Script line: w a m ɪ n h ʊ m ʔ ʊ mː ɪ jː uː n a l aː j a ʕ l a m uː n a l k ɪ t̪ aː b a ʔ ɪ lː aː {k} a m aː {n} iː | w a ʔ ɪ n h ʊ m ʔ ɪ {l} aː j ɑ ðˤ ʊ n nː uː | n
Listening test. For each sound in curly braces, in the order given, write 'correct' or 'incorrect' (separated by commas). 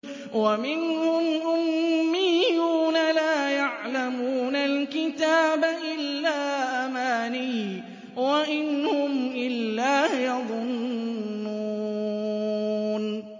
incorrect, correct, incorrect